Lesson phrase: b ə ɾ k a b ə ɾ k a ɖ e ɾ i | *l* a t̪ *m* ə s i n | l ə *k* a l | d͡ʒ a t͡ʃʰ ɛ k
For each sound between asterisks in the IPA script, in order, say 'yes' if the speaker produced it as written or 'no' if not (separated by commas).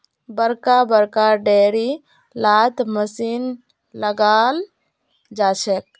yes, yes, no